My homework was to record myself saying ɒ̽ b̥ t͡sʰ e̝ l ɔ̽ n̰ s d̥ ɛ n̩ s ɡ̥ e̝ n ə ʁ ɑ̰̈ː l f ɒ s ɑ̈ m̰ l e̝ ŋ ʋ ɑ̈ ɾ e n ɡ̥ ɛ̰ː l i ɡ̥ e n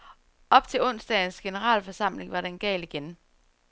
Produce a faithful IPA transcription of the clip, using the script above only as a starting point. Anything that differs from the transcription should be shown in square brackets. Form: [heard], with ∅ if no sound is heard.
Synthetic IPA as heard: ɒ̽ b̥ t͡sʰ e̝ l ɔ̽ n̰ s d̥ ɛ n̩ s ɡ̥ e̝ n ə ʁ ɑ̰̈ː l f ɒ s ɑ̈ m̰ l e̝ ŋ ʋ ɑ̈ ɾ e n ɡ̥ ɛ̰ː l i ɡ̥ e n